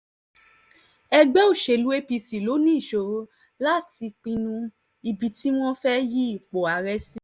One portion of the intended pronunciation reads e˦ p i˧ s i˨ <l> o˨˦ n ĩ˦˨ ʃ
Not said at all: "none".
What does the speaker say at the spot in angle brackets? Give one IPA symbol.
l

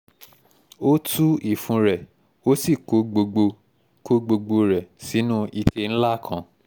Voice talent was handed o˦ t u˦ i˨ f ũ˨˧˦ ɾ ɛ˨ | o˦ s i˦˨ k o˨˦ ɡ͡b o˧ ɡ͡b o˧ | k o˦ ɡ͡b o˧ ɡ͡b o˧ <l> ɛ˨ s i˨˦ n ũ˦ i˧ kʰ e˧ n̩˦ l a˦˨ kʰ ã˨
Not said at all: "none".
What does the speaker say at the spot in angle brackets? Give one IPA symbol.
ɾ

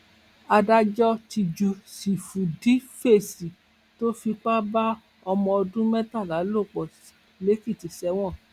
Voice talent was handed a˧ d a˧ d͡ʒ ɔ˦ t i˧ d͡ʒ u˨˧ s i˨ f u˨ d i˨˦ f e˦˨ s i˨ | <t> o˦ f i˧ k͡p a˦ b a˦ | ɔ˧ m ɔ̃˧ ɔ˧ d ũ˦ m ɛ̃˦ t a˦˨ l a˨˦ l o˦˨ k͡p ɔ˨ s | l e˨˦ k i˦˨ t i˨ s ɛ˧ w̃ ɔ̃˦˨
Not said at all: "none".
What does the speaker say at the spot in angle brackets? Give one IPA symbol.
t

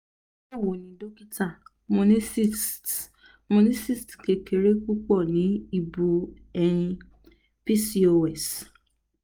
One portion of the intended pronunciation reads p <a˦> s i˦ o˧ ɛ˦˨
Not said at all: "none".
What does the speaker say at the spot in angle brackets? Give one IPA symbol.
i˦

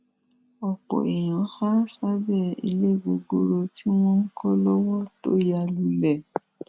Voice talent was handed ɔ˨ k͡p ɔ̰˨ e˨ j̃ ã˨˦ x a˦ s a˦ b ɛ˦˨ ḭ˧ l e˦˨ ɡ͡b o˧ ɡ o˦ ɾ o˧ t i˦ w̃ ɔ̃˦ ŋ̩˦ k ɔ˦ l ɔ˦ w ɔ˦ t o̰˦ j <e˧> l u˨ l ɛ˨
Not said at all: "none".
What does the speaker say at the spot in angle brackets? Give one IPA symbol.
a˧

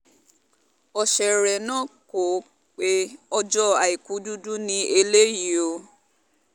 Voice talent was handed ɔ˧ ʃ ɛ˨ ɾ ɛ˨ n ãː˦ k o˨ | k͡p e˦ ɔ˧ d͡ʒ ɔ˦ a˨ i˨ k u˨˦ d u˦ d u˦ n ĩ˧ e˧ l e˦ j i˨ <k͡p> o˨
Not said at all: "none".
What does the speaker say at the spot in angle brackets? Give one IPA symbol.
none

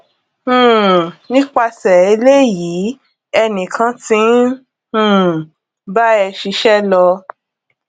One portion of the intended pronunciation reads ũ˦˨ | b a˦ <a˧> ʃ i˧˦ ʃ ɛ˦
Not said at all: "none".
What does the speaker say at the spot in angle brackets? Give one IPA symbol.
ɛ˧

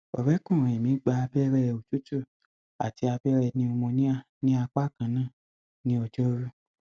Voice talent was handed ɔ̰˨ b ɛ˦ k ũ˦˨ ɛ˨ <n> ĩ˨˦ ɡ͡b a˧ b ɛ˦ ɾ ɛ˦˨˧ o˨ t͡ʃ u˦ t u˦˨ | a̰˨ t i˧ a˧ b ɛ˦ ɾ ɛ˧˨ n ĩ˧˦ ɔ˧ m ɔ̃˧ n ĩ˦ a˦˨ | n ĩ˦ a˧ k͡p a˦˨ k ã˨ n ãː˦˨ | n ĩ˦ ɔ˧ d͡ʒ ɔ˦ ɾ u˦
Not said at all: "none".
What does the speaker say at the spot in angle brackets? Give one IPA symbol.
m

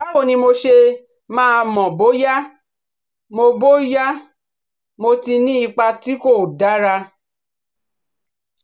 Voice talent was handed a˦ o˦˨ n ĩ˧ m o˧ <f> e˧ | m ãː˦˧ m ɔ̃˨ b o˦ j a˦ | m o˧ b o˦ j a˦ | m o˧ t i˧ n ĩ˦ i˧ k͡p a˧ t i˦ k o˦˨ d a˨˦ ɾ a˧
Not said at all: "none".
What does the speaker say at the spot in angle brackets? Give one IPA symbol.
ʃ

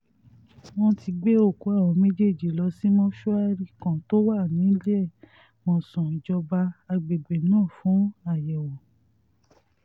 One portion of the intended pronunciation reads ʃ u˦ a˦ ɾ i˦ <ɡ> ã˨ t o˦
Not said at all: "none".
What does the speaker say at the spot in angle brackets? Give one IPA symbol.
k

